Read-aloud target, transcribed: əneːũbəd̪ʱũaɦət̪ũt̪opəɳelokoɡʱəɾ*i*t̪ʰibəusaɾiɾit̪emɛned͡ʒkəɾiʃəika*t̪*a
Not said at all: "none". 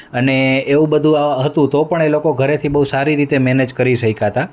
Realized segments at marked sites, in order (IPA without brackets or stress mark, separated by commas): e, t̪